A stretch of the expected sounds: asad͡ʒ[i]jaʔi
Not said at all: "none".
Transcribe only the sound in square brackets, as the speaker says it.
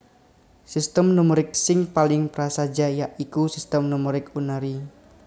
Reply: a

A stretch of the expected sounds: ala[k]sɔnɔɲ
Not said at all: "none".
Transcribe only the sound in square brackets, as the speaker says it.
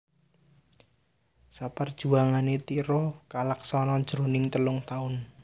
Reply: k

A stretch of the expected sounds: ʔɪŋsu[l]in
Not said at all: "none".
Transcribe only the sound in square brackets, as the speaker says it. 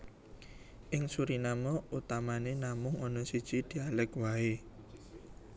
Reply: ɾ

